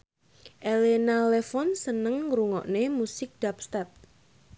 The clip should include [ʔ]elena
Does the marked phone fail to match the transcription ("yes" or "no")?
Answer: no